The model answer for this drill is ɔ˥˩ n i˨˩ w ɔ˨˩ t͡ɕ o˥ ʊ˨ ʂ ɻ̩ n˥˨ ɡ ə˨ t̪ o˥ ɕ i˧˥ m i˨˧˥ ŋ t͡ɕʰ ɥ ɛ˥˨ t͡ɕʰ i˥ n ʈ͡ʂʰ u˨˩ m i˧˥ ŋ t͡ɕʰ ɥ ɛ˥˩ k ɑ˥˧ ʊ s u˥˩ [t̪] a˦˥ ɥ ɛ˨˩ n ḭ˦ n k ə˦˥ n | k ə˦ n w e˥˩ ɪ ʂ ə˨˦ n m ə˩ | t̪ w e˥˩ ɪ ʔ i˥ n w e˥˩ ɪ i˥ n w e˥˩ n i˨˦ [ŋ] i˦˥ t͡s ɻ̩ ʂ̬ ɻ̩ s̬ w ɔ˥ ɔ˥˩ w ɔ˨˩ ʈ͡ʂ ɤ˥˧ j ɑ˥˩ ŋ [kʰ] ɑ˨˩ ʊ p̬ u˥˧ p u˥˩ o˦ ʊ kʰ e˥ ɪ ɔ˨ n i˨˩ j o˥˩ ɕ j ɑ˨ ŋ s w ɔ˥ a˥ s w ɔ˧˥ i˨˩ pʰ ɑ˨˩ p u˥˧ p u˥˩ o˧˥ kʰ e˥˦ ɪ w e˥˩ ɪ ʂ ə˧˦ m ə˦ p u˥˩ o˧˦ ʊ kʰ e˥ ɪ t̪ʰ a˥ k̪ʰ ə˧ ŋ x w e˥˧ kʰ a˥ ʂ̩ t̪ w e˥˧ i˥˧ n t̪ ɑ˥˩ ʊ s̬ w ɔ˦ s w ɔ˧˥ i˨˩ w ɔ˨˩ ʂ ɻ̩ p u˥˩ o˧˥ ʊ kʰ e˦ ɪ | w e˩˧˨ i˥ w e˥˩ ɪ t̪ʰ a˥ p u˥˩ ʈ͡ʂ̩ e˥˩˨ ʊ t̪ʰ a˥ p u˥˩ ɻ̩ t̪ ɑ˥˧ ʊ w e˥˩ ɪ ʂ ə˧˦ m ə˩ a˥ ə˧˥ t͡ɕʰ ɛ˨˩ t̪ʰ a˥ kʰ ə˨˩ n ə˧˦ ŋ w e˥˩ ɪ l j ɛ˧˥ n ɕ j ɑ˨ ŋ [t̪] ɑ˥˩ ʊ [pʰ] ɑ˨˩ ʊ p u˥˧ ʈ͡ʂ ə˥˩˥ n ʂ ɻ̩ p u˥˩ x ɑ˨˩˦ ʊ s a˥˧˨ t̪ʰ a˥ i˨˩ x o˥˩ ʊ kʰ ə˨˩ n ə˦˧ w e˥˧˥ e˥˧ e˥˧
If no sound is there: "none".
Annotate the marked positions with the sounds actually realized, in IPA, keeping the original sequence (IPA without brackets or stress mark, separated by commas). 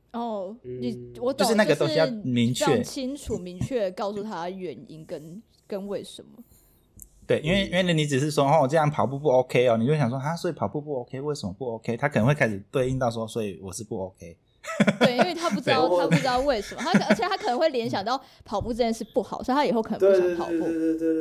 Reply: t̪ʰ, n, pʰ, t̪, pʰ